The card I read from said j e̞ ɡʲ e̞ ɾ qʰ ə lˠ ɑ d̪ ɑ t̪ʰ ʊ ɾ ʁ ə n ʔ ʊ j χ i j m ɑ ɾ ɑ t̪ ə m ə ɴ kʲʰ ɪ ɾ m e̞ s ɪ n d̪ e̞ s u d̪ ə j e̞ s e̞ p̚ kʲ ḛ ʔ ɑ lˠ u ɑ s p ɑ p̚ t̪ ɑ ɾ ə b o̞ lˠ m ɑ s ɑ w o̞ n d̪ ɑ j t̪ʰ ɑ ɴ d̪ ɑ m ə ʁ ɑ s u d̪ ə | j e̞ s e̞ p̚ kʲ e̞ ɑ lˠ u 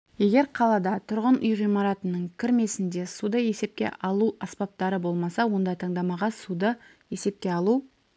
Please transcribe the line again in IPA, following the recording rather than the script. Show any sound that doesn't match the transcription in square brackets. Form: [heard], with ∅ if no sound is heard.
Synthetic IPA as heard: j e̞ ɡʲ e̞ ɾ qʰ [ɑ] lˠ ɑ d̪ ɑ t̪ʰ ʊ ɾ ʁ ə n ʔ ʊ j [ʁ] i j m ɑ ɾ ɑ t̪ ə [n] ə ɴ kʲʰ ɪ ɾ m e̞ s ɪ n d̪ e̞ s u d̪ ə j e̞ s e̞ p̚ kʲ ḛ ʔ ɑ lˠ u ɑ s p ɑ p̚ t̪ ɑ ɾ ə b o̞ lˠ m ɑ s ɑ w o̞ n d̪ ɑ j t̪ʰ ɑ ɴ d̪ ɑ m [ɑ] ʁ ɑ s u d̪ ə | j e̞ s e̞ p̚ kʲ e̞ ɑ lˠ u